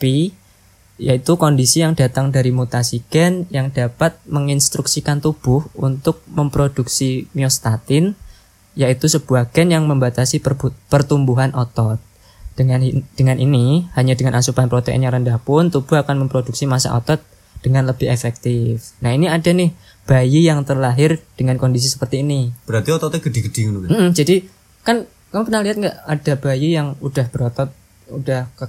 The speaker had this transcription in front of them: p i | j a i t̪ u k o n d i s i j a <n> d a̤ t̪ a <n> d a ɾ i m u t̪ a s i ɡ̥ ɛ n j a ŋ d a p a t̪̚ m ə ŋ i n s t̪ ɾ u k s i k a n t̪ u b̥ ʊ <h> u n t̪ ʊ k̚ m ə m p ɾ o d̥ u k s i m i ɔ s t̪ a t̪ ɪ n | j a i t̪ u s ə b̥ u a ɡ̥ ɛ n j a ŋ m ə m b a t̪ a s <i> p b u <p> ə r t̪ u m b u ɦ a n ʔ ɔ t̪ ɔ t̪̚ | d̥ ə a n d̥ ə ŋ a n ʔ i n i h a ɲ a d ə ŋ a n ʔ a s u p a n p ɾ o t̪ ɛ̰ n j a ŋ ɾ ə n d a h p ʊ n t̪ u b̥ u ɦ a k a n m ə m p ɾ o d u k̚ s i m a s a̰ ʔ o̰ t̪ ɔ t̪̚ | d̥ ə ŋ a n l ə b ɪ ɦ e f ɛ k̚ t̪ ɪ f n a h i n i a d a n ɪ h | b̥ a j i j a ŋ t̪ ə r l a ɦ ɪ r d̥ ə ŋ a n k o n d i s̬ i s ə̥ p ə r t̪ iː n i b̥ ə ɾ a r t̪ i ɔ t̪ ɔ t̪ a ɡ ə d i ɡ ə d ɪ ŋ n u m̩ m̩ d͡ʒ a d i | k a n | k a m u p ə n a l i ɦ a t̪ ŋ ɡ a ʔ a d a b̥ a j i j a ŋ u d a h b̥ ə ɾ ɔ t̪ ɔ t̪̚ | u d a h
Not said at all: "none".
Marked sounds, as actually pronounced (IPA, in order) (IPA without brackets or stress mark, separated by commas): ŋ, ŋ, h, i, p